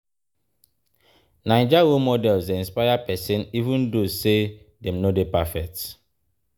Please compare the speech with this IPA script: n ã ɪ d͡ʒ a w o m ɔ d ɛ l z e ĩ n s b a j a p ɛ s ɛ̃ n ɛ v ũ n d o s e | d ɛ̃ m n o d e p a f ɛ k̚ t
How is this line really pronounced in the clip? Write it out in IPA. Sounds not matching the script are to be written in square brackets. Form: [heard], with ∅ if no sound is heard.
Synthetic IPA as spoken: n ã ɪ d͡ʒ a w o m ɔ d ɛ l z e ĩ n s [p] a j a p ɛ s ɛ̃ n [i] v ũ n d o s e | d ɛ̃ m n o d e p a f ɛ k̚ t